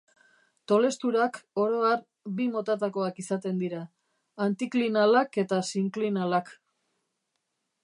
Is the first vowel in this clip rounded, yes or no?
yes